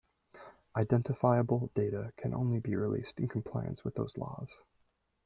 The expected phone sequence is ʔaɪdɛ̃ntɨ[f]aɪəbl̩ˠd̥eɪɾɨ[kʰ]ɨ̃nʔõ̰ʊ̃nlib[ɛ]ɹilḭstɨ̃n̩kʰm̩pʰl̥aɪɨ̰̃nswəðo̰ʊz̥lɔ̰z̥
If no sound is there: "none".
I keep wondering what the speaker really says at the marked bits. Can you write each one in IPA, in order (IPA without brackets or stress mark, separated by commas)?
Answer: f, kʰ, i